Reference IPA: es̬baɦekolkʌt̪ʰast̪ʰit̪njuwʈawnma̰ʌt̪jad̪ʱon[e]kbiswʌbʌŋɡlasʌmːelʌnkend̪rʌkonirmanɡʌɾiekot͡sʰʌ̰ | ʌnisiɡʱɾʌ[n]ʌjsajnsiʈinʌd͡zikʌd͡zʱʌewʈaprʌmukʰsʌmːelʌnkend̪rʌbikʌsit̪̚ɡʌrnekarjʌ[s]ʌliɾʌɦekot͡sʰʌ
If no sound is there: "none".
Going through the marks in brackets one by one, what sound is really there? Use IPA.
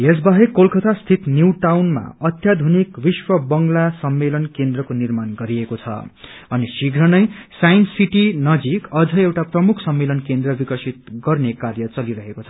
i, n, t͡s

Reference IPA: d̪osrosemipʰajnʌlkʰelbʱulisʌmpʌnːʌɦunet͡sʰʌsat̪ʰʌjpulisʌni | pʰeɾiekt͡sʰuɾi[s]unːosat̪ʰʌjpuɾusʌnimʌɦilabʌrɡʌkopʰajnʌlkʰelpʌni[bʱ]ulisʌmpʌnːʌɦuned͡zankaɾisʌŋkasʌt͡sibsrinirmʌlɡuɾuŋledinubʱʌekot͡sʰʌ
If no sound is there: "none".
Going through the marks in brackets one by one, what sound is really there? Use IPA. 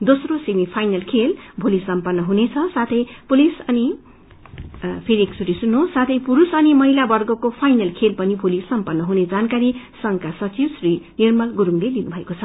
s, bʱ

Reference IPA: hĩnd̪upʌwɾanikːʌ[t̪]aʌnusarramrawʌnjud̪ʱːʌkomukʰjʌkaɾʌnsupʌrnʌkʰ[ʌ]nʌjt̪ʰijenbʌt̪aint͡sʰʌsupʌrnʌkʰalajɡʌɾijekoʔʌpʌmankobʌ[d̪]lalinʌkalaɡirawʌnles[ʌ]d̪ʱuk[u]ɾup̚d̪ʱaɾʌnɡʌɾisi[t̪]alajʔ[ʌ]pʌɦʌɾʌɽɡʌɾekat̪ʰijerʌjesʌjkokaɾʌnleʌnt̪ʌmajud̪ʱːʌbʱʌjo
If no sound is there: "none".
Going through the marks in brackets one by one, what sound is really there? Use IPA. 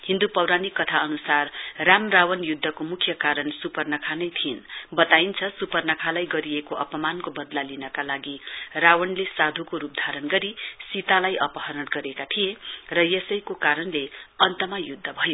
t̪ʰ, a, d̪, a, o, t̪, ʌ

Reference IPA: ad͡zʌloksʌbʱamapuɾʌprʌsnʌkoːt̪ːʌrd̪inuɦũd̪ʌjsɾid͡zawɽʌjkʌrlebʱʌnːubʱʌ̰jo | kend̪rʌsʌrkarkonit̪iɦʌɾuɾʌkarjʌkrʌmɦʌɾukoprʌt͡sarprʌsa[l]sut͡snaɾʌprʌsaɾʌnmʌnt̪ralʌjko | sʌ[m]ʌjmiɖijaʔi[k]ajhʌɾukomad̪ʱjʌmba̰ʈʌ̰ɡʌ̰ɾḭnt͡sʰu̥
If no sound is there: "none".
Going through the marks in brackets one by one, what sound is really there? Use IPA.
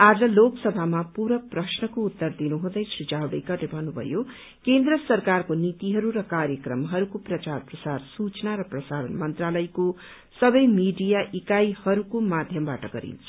r, b, k

